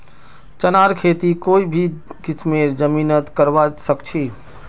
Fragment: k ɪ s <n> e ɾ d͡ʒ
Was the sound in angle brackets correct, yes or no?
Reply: no